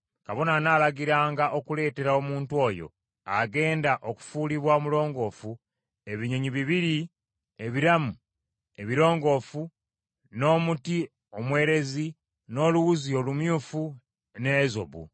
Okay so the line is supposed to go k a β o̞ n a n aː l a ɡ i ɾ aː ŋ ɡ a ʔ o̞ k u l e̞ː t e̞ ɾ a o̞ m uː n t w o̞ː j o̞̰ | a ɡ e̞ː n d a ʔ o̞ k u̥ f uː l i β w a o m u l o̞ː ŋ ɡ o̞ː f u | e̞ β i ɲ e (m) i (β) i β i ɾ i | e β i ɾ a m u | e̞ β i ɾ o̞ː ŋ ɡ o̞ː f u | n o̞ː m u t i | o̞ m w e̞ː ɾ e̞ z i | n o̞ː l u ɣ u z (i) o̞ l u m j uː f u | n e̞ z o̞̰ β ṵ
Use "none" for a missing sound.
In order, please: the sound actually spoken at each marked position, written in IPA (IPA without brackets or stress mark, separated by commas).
ɲ, β, i